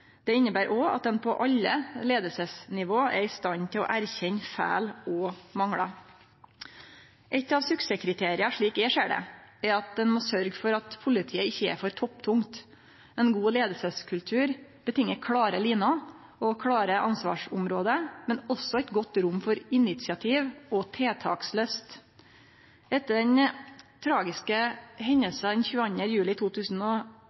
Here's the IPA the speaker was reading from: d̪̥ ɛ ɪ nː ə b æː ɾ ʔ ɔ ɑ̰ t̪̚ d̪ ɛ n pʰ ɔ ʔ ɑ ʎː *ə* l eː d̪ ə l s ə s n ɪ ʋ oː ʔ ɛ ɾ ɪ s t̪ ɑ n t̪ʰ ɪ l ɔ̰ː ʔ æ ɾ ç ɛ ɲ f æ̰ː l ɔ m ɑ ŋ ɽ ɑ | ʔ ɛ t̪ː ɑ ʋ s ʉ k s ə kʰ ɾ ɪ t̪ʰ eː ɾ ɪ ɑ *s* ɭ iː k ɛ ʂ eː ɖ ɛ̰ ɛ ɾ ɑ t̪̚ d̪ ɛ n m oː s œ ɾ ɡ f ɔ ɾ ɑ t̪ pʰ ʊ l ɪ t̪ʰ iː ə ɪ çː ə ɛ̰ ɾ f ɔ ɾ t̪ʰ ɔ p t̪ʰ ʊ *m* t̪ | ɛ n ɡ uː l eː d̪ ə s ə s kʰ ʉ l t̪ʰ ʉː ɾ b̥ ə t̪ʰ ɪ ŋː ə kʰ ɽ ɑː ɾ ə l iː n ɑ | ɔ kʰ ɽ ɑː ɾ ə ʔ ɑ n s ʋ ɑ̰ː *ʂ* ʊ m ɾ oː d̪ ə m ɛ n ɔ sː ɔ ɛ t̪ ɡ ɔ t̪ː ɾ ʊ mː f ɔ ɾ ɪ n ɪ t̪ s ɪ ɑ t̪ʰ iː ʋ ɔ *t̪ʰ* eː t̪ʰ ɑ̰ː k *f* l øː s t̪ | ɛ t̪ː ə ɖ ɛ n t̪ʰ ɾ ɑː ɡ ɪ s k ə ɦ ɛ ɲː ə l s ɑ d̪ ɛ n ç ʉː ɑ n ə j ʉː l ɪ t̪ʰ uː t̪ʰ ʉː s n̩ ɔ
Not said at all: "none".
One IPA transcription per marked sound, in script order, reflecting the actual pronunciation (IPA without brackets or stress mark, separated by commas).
ə, ʂ, ŋ, ʂ, t̪ʰ, s